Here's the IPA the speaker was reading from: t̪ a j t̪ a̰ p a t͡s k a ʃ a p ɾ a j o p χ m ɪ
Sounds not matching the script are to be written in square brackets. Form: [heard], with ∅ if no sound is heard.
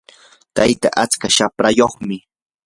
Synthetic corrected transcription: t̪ a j t̪ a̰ [ʔ] a t͡s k a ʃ a p ɾ a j o [∅] χ m ɪ